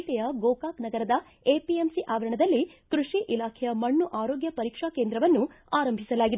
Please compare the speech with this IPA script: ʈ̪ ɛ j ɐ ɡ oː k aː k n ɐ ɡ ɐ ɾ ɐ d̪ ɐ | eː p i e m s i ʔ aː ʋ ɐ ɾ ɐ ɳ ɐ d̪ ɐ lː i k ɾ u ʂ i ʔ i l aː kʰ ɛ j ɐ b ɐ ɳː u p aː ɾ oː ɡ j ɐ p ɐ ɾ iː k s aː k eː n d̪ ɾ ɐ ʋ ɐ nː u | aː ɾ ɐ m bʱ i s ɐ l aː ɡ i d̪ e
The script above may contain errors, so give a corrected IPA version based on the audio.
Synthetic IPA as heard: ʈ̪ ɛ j ɐ ɡ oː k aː k n ɐ ɡ ɐ ɾ ɐ d̪ ɐ | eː p i e m s i ʔ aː ʋ ɐ ɾ ɐ ɳ ɐ d̪ ɐ lː i k ɾ u ʂ i ʔ i l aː kʰ ɛ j ɐ m ɐ ɳː u ʔ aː ɾ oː ɡ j ɐ p ɐ ɾ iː k ʂ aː k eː n d̪ ɾ ɐ ʋ ɐ nː u | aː ɾ ɐ m bʱ i s ɐ l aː ɡ i d̪ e